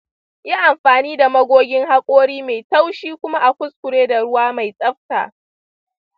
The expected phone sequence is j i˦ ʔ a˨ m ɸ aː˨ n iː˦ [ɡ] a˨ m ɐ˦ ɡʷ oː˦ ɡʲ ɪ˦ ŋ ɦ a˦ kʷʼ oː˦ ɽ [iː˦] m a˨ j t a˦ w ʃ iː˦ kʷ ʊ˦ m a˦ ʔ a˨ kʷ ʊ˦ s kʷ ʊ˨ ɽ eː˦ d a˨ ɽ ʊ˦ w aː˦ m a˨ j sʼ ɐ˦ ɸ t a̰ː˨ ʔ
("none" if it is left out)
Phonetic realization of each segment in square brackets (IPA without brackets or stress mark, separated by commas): d, iː˦